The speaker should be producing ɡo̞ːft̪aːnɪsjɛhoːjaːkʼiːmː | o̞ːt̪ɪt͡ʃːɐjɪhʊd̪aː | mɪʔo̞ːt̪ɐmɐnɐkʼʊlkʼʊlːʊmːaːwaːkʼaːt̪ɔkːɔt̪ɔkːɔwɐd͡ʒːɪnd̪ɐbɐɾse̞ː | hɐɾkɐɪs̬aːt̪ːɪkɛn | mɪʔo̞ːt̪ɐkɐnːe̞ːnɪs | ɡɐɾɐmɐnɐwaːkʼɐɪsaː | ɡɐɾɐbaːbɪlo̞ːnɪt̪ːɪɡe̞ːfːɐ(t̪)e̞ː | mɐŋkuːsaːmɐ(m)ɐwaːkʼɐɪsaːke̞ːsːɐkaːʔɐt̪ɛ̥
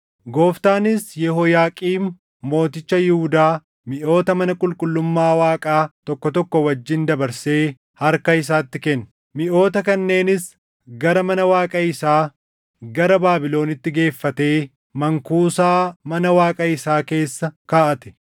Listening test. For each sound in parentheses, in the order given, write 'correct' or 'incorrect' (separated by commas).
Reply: correct, incorrect